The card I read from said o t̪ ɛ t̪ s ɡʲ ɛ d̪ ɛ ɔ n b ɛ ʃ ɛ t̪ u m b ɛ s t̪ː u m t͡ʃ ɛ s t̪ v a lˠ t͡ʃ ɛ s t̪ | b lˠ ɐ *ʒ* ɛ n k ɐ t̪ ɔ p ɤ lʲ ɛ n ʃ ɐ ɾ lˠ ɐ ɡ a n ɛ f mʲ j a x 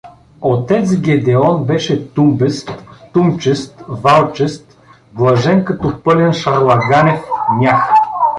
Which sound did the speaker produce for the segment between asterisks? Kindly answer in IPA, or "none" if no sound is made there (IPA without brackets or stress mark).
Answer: ʒ